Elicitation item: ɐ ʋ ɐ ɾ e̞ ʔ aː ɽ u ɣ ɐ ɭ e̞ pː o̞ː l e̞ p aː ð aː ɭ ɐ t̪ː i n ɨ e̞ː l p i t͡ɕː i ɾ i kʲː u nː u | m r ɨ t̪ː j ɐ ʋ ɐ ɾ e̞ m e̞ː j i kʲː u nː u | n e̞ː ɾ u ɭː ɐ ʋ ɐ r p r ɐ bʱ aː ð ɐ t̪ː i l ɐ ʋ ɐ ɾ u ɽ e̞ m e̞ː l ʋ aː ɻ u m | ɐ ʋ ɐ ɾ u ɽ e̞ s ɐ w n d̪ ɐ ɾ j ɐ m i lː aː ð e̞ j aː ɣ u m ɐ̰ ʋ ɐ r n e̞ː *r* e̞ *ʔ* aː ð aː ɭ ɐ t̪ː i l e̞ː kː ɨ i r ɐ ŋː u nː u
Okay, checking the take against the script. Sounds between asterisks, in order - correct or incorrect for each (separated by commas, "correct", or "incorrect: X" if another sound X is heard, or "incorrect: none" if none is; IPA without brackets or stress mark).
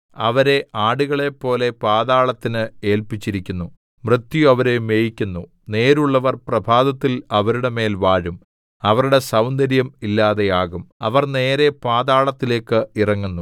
incorrect: ɾ, incorrect: p